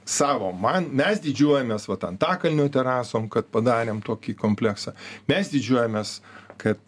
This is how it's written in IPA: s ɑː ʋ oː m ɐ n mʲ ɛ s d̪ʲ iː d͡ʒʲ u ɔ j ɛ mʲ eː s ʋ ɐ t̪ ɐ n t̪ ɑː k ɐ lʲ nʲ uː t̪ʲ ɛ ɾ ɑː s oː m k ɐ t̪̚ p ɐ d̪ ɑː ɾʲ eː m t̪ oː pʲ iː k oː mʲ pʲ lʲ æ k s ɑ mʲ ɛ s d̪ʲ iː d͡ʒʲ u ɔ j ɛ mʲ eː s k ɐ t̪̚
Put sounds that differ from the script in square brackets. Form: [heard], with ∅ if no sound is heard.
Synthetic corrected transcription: s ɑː ʋ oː m ɐ n mʲ ɛ s d̪ʲ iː d͡ʒʲ u ɔ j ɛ mʲ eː s ʋ ɐ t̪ ɐ n t̪ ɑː k ɐ lʲ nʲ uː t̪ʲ ɛ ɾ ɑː s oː m k ɐ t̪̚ p ɐ d̪ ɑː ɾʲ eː m t̪ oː [kʲ] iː k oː mʲ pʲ lʲ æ k s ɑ mʲ ɛ s d̪ʲ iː d͡ʒʲ u ɔ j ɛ mʲ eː s k ɐ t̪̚